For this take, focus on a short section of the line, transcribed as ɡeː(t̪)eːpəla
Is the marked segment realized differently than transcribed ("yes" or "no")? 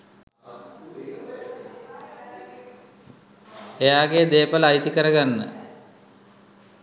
yes